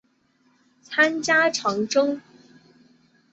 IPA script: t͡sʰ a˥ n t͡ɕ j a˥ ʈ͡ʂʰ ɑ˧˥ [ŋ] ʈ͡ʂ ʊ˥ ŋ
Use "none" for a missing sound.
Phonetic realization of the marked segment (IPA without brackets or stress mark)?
ŋ